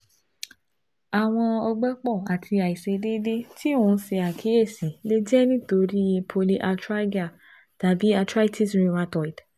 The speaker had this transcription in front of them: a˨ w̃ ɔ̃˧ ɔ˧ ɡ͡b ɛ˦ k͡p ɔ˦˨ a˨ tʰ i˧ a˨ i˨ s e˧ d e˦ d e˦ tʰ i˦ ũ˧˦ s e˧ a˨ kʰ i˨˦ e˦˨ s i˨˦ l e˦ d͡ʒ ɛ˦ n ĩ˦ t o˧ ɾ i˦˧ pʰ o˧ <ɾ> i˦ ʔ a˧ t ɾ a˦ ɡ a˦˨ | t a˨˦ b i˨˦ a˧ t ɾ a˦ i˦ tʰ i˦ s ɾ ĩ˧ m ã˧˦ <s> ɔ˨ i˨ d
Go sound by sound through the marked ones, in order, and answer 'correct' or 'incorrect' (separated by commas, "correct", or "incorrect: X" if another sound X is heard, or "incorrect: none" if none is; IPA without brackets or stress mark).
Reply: incorrect: l, incorrect: t